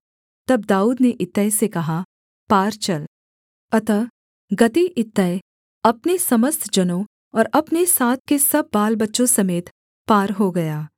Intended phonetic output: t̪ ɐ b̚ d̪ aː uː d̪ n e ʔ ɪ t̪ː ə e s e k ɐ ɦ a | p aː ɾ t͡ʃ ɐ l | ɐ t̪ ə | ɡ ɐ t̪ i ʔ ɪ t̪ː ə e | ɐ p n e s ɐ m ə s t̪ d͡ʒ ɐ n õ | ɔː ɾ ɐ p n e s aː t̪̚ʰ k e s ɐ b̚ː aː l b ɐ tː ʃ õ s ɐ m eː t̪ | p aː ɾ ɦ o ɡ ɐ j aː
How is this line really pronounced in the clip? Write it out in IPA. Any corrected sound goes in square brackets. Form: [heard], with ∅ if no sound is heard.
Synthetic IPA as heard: t̪ ɐ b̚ d̪ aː uː d̪ n e ʔ ɪ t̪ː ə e s e k ɐ ɦ a | p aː ɾ t͡ʃ ɐ l | ɐ t̪ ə | ɡ ɐ t̪ i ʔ ɪ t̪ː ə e | ɐ p n e s ɐ m ə s t̪ d͡ʒ ɐ n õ | ɔː ɾ ɐ p n e s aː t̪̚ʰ k e s ɐ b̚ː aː l b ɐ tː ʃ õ s ɐ m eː t̪ | p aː ɾ ɦ o ɡ ɐ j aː

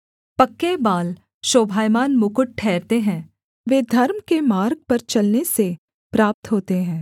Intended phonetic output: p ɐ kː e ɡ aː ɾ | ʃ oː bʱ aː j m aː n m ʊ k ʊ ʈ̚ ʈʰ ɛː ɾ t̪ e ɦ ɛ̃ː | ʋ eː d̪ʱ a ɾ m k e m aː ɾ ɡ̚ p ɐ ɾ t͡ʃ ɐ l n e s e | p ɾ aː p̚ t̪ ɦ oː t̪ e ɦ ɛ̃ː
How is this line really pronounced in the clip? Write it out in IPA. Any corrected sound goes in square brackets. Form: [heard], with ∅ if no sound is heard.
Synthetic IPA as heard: p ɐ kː e [b] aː [l] | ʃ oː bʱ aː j m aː n m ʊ k ʊ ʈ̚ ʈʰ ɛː ɾ t̪ e ɦ ɛ̃ː | ʋ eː d̪ʱ [ɐ] ɾ m k e m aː ɾ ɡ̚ p ɐ ɾ t͡ʃ ɐ l n e s e | p ɾ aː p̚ t̪ ɦ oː t̪ e ɦ ɛ̃ː

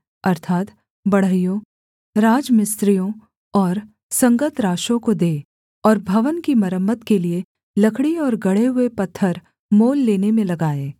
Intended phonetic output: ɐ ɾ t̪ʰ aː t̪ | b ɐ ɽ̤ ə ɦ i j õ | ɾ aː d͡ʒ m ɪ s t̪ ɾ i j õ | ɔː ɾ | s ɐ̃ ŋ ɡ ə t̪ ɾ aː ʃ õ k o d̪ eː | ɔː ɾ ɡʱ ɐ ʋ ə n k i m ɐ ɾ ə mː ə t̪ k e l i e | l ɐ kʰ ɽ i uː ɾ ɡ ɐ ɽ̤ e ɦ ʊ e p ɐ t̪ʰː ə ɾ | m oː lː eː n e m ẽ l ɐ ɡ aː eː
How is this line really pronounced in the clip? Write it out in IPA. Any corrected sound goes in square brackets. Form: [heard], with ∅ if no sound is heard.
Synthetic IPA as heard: ɐ ɾ t̪ʰ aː t̪ | b ɐ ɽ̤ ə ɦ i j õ | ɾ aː d͡ʒ m ɪ s t̪ ɾ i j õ | ɔː ɾ | s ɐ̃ ŋ ɡ ə t̪ ɾ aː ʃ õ k o d̪ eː | ɔː ɾ [bʱ] ɐ ʋ ə n k i m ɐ ɾ ə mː ə t̪ k e l i e | l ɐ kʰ ɽ i [ɔː] ɾ ɡ ɐ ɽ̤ e ɦ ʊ e p ɐ t̪ʰː ə ɾ | m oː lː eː n e m ẽ l ɐ ɡ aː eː

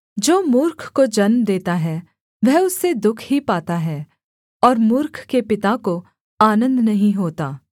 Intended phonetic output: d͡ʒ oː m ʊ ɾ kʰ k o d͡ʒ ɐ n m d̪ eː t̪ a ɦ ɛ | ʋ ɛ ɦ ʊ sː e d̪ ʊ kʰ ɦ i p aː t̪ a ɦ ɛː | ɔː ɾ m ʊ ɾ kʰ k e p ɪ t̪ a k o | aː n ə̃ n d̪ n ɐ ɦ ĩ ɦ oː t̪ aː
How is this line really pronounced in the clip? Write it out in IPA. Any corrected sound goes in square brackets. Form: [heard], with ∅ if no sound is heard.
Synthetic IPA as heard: d͡ʒ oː m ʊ ɾ kʰ k o d͡ʒ ɐ n m d̪ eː t̪ a ɦ ɛ | ʋ ɛ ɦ ʊ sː e d̪ ʊ kʰ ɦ i p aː t̪ a ɦ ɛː | ɔː ɾ m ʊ ɾ kʰ k e p ɪ t̪ a k o | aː n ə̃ n d̪ n ɐ ɦ ĩ ɦ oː t̪ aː

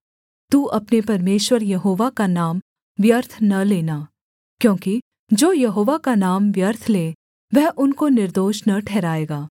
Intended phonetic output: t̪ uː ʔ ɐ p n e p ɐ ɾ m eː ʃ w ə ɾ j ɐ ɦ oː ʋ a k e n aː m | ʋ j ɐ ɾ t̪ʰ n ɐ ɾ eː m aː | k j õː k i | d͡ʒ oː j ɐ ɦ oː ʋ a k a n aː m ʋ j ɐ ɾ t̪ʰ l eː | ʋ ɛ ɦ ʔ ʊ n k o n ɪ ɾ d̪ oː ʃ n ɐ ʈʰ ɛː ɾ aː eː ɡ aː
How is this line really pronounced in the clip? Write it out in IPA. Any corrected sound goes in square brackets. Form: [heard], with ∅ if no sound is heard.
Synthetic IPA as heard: t̪ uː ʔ ɐ p n e p ɐ ɾ m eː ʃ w ə ɾ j ɐ ɦ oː ʋ a k [a] n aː m | ʋ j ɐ ɾ t̪ʰ n ɐ [l] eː [n] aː | k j õː k i | d͡ʒ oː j ɐ ɦ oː ʋ a k a n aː m ʋ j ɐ ɾ t̪ʰ l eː | ʋ ɛ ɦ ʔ ʊ n k o n ɪ ɾ d̪ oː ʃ n ɐ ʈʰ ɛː ɾ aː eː ɡ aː

